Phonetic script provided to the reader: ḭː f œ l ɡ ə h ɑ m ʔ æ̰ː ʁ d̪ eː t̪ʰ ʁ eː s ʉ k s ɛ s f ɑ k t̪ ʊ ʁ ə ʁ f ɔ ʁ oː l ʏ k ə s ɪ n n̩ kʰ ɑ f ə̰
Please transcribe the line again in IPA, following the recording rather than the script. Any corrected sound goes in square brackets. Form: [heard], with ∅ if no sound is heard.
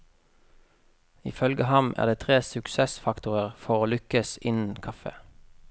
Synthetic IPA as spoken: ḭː f œ l ɡ ə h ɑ m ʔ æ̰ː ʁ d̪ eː t̪ʰ ʁ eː s ʉ k s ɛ s f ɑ k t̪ ʊ ʁ ə ʁ f ɔ ʁ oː l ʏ k ə s ɪ n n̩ kʰ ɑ f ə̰